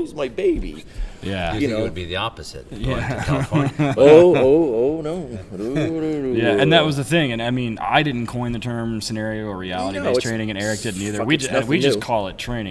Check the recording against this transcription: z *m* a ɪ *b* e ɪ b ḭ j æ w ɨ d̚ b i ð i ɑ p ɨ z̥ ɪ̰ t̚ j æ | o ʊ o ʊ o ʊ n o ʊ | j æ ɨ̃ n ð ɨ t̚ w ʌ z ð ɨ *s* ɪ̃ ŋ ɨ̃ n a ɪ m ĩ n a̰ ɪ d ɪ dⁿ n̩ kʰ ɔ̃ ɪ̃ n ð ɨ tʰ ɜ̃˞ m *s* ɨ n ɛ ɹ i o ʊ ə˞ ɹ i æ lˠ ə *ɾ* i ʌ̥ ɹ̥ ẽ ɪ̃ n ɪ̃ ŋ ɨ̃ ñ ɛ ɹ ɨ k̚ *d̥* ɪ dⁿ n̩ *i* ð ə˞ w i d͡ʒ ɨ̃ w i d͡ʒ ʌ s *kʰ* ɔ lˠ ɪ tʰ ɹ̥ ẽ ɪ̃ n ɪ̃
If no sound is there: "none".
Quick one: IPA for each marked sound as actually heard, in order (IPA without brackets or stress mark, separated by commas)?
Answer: m, b, θ, s, ɾ, d̥, i, kʰ